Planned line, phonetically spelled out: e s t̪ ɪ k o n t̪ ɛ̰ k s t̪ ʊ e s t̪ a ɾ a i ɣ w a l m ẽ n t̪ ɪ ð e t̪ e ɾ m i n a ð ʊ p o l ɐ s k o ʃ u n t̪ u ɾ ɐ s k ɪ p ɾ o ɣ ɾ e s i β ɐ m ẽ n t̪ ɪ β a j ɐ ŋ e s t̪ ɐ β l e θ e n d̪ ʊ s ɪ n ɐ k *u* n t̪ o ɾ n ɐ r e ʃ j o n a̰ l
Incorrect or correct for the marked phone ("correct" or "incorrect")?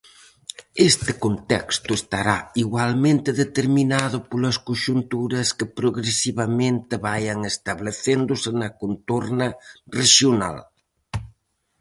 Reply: incorrect